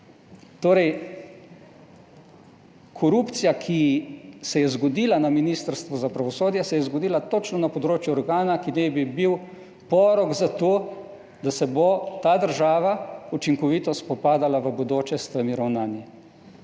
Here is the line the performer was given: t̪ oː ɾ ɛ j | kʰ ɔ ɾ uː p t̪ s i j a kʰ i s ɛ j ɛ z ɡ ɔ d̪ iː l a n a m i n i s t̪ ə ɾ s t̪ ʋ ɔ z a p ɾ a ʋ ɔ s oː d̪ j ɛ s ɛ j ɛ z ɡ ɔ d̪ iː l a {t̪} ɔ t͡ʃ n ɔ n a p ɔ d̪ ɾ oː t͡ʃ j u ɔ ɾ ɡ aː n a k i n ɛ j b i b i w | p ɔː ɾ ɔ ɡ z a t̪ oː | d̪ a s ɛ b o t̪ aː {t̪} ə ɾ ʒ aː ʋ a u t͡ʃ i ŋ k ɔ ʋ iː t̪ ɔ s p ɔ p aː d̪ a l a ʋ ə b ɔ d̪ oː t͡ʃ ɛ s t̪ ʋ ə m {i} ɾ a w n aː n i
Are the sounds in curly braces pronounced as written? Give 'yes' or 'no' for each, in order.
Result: yes, no, yes

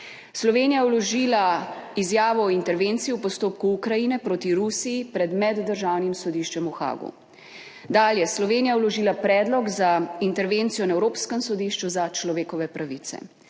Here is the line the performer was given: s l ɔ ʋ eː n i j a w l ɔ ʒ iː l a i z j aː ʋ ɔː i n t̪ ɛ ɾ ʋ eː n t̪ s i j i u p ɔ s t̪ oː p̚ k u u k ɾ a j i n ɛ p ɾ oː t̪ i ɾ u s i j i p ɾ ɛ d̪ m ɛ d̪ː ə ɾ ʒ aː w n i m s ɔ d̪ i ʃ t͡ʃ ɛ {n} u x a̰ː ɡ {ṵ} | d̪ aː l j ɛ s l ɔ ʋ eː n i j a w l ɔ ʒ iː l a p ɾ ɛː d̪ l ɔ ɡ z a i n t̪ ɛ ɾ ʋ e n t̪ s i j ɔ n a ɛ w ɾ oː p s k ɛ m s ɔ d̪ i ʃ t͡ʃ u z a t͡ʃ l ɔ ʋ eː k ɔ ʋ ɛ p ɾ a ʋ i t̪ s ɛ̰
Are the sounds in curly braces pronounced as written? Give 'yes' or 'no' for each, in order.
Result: no, yes

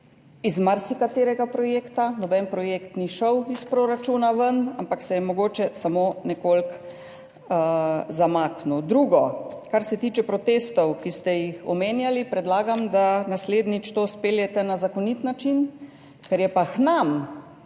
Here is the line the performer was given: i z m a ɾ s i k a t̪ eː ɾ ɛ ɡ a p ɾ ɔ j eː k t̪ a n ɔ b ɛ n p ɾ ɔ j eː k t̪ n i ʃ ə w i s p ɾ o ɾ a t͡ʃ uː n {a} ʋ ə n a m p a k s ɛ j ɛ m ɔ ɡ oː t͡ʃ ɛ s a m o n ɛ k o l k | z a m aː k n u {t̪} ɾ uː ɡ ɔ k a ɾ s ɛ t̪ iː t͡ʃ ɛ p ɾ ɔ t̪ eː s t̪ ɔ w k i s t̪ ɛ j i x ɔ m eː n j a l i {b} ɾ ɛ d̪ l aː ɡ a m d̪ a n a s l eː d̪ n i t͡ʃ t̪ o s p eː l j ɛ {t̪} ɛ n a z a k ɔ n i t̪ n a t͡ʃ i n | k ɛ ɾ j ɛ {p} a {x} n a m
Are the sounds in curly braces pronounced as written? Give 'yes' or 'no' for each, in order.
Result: yes, no, no, yes, yes, yes

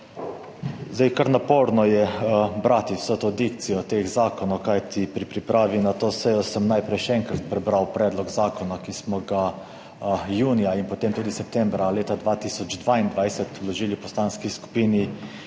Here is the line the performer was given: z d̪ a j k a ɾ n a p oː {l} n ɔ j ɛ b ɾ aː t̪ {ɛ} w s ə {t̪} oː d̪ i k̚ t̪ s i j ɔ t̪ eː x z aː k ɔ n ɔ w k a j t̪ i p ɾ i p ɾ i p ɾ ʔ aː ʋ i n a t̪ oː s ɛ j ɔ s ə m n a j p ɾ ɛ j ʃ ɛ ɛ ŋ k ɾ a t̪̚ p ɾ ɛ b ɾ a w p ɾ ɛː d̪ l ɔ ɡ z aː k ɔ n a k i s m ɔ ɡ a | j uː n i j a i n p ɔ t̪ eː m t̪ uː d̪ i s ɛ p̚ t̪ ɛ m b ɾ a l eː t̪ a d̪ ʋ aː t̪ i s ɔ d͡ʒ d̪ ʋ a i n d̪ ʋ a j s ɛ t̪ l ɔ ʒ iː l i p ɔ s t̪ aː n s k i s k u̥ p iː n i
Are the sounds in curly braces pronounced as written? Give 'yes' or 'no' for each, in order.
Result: no, no, yes

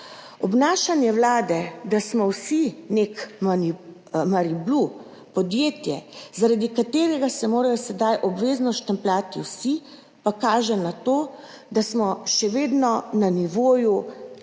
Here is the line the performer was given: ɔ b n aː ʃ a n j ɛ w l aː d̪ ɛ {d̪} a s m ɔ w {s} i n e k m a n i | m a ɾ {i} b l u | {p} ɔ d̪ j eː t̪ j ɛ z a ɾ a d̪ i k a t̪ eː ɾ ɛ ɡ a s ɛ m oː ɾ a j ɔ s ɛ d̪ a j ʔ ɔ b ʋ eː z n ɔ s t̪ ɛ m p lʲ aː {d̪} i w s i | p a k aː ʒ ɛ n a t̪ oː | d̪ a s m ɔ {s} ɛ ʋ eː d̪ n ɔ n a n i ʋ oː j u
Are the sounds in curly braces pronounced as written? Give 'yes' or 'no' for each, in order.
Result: yes, yes, yes, yes, no, no

